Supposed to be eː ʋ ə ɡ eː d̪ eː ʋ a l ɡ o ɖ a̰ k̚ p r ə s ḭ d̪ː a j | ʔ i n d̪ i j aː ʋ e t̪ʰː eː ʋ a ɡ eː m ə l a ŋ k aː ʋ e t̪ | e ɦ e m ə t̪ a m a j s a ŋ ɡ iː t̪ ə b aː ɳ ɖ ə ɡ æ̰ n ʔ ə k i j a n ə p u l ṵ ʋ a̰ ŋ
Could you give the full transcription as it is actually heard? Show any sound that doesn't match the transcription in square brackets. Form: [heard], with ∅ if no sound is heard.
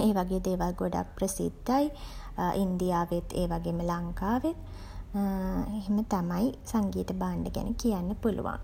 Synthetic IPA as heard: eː ʋ [a] ɡ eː d̪ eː ʋ a l ɡ o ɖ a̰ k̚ p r ə s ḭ d̪ː a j | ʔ i n d̪ i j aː ʋ e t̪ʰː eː ʋ a ɡ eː m ə l a ŋ k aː ʋ e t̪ | e ɦ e m ə t̪ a m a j s a ŋ ɡ iː t̪ ə b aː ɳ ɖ ə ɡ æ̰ n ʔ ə k i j a [nː] ə p u l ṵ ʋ a̰ ŋ